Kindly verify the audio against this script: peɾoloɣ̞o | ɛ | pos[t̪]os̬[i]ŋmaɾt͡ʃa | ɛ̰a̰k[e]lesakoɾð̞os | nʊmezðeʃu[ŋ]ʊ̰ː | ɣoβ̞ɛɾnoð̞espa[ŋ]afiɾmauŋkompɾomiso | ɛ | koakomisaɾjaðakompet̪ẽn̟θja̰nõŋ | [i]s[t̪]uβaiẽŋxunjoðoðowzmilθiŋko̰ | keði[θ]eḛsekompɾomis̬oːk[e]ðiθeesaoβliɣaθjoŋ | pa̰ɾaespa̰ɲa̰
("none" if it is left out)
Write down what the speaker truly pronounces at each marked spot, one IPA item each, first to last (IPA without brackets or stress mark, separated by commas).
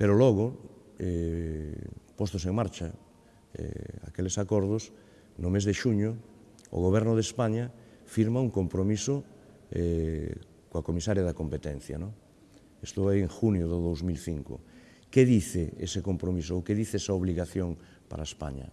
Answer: t̪, e, e, ɲ, ɲ, e, t̪, θ, e